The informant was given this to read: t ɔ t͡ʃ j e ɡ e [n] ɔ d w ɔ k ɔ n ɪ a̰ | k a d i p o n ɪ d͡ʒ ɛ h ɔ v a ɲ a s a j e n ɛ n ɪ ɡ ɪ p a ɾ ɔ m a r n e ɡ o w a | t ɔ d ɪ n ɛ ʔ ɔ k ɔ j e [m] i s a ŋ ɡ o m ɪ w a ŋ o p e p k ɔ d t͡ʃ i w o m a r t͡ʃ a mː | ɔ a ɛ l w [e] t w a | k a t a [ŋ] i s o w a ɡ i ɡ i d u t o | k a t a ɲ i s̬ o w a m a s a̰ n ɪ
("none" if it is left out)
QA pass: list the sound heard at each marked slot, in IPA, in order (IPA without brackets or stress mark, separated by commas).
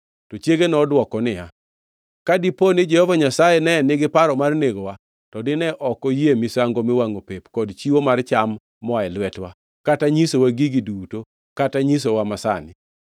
n, m, ɛ, ɲ